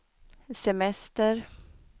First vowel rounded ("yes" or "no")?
no